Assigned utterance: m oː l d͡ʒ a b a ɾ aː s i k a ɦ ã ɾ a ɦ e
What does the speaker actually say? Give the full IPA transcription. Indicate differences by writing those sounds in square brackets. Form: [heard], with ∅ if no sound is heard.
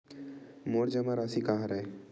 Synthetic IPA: m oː [ɾ] d͡ʒ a [m] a ɾ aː s i k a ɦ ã ɾ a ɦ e